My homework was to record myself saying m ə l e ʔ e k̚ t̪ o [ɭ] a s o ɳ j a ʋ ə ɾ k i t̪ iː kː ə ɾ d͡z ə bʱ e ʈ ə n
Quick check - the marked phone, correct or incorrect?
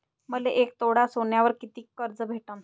incorrect